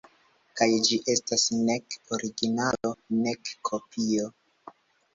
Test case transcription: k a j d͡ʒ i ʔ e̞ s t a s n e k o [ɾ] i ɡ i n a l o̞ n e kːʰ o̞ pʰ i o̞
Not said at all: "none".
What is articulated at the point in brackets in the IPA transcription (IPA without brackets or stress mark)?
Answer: ɾ